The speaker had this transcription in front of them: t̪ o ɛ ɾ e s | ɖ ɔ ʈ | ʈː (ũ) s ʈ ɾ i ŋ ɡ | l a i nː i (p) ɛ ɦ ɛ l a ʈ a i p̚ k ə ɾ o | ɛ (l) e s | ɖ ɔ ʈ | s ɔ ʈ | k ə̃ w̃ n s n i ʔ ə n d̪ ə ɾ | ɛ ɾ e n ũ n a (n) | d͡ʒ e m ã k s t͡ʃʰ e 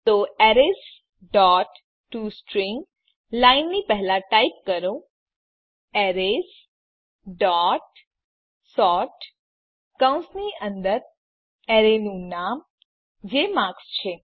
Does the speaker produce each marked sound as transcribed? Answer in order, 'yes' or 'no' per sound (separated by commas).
no, yes, no, no